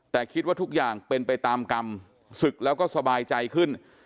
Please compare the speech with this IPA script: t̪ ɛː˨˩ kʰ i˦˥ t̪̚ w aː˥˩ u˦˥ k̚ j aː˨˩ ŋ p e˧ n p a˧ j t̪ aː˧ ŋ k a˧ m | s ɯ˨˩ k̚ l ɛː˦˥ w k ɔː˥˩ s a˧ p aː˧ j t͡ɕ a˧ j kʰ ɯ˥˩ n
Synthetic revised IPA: t̪ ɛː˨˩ kʰ i˦˥ t̪̚ w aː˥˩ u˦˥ k̚ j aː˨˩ ŋ p e˧ n p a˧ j t̪ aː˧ m k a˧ m | s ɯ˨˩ k̚ l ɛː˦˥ w k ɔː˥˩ s a˧ b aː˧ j t͡ɕ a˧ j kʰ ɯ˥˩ n